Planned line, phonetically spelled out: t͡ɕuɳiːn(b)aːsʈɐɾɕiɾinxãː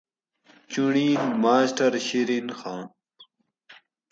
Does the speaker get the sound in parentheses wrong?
yes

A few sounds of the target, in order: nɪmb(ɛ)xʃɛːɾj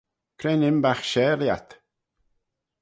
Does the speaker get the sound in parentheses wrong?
yes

